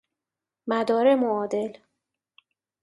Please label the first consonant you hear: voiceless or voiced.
voiced